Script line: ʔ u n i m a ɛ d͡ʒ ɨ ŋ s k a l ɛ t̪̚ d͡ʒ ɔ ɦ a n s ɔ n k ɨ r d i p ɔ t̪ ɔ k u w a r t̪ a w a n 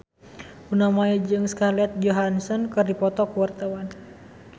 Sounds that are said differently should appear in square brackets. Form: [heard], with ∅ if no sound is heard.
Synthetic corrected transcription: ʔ u n [a] m a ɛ d͡ʒ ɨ ŋ s k a l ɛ t̪̚ d͡ʒ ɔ ɦ a n s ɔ n k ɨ r d i p ɔ t̪ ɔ k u w a r t̪ a w a n